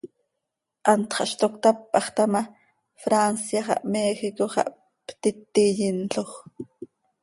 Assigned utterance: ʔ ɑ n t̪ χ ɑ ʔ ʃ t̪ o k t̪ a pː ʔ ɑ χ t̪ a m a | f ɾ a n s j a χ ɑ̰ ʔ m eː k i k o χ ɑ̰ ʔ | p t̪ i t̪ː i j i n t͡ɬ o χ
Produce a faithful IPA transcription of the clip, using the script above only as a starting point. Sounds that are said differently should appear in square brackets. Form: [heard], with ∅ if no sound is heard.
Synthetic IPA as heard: ʔ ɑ n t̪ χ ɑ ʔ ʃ t̪ o k t̪ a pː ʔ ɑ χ t̪ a m a | f ɾ a n s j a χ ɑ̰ ʔ m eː [x] i k o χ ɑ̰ ʔ | p t̪ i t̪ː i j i n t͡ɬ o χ